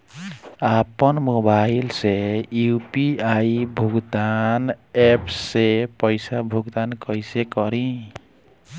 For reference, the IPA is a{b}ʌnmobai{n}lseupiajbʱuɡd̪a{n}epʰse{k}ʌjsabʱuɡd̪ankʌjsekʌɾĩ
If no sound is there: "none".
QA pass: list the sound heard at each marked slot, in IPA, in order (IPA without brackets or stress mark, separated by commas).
p, none, n, p